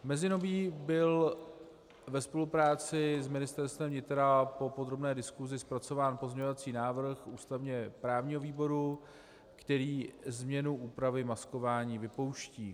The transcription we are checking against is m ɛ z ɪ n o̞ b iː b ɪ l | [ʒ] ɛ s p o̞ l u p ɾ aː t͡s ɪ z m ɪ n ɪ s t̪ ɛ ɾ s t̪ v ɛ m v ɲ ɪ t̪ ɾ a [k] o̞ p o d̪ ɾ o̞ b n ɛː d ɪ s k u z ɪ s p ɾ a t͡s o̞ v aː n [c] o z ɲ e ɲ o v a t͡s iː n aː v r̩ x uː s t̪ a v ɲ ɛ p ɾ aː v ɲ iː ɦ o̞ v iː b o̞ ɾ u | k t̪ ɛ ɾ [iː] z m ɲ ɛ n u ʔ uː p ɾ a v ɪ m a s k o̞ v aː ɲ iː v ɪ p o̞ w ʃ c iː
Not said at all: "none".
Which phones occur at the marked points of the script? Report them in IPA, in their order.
v, p, p, iː

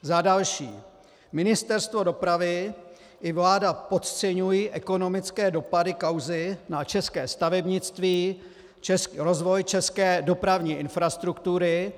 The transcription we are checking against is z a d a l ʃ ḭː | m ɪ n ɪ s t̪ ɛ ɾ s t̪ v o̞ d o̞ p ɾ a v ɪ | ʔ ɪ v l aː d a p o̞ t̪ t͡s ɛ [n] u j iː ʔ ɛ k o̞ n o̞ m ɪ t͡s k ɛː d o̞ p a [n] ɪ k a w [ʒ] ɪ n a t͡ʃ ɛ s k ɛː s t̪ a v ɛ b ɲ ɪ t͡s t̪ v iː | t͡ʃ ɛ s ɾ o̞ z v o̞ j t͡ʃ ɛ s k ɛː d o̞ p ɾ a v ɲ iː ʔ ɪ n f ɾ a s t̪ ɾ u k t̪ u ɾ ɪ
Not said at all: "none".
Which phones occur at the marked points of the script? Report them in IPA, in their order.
ɲ, d, z

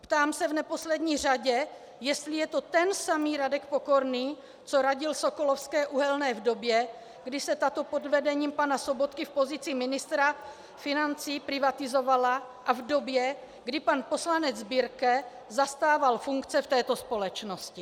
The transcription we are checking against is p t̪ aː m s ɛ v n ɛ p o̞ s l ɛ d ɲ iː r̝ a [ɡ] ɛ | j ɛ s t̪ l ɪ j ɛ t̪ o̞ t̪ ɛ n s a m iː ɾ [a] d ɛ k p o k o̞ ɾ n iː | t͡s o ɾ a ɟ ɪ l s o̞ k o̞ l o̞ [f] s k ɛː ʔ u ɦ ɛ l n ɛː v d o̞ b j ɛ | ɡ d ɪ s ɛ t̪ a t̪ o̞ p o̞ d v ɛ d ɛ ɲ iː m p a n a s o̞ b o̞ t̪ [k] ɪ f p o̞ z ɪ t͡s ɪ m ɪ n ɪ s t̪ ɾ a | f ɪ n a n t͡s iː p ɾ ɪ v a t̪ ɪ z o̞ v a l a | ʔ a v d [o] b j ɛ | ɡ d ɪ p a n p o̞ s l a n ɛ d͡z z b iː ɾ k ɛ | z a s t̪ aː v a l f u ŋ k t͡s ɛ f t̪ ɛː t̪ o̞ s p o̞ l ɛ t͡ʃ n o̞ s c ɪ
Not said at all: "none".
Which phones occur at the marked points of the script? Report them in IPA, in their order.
ɟ, a, f, k, o

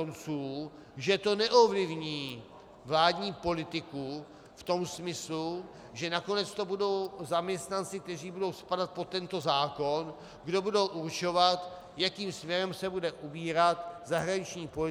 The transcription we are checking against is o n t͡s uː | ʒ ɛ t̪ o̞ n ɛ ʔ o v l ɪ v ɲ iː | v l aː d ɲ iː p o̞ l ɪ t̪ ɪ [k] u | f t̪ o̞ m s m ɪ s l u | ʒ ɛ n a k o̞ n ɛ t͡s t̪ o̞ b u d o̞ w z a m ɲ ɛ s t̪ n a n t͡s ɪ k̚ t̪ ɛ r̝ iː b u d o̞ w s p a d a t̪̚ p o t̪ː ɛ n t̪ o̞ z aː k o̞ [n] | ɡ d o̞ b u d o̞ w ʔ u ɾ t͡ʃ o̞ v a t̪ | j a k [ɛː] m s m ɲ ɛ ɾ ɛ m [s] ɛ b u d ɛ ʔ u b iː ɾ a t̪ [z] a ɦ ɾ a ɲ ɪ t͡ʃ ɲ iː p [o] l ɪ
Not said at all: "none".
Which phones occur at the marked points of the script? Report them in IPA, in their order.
k, n, iː, s, z, o

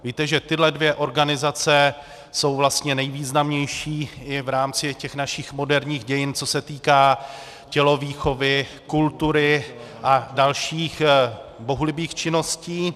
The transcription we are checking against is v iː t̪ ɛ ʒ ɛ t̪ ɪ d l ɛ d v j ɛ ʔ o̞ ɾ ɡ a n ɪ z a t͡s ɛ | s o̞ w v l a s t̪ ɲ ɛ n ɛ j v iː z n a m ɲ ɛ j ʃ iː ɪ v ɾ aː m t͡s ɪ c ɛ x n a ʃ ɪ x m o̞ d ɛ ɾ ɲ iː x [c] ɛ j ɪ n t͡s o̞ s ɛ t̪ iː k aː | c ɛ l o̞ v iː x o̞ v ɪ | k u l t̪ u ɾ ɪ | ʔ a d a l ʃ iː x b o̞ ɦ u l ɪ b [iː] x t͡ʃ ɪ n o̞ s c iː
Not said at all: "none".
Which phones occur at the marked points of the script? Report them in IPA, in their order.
ɟ, iː

